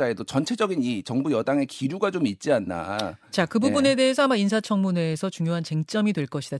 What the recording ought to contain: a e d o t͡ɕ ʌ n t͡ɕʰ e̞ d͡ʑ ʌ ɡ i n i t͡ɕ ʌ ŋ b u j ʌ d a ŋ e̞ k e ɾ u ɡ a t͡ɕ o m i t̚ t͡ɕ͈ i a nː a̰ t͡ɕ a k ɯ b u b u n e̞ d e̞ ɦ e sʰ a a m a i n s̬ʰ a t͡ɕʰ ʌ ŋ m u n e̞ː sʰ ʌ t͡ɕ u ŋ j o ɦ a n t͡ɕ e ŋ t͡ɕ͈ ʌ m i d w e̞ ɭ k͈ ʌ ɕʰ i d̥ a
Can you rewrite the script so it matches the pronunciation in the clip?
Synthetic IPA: a e d o t͡ɕ ʌ n t͡ɕʰ e̞ d͡ʑ ʌ ɡ i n i t͡ɕ ʌ ŋ b u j ʌ d a ŋ e̞ k i ɾ u ɡ a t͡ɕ o m i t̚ t͡ɕ͈ i a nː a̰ t͡ɕ a k ɯ b u b u n e̞ d e̞ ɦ e sʰ ʌ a m a i n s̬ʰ a t͡ɕʰ ʌ ŋ m u n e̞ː sʰ ʌ t͡ɕ u ŋ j o ɦ a n t͡ɕ e ŋ t͡ɕ͈ ʌ m i d w e̞ ɭ k͈ ʌ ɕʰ i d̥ a